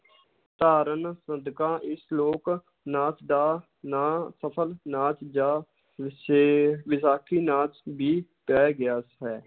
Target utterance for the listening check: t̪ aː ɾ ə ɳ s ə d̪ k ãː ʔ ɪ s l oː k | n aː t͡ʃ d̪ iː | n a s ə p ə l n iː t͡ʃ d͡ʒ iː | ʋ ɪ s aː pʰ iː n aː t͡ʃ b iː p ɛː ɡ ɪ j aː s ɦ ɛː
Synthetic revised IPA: t̪ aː ɾ ə n s ə d̪ k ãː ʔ ɪ s l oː k | n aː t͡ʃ d̪ aː | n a s ə pʰ ə l n aː t͡ʃ d͡ʒ aː | ʋ ɪ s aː kʰ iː n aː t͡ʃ b iː p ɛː ɡ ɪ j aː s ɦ ɛː